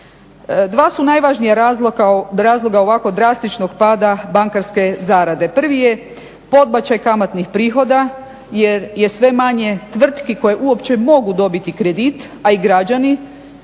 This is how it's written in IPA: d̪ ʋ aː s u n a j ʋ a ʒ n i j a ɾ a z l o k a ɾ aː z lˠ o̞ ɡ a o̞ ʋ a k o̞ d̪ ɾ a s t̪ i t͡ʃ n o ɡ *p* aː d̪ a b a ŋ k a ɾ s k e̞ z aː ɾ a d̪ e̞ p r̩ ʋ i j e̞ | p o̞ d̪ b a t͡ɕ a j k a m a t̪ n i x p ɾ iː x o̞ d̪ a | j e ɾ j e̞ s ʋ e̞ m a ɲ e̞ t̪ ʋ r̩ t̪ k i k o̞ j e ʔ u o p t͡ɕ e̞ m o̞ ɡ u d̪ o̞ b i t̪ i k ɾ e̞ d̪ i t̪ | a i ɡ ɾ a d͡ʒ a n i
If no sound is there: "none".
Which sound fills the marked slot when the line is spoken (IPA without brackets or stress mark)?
p